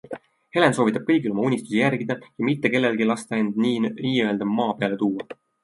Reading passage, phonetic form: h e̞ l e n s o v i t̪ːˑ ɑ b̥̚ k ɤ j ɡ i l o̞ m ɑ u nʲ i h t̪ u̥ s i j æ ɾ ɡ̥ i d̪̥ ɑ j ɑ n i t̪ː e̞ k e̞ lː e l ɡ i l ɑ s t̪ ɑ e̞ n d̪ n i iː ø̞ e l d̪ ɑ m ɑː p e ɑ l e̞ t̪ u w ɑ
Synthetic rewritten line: h e̞ l e n s o v i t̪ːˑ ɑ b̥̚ k ɤ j ɡ i l o̞ m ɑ u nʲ i s t̪ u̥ s i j æ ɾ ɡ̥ i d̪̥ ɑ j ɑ m i t̪ː e̞ k e̞ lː e l ɡ i l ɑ s t̪ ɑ e̞ n d̪ n i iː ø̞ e l d̪ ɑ m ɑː p e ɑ l e̞ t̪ uː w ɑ